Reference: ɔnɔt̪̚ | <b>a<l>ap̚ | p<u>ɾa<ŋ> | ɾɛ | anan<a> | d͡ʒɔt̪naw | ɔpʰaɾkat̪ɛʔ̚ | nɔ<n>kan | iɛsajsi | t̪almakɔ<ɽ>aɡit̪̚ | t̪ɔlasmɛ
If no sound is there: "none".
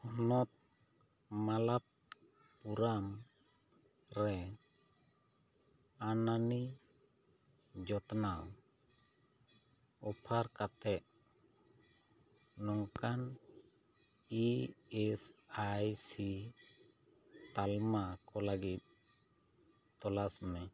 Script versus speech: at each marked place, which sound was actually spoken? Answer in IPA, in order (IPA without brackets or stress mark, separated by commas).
m, l, u, m, i, ŋ, l